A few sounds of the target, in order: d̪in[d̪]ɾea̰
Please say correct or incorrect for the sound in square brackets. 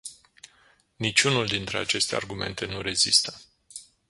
incorrect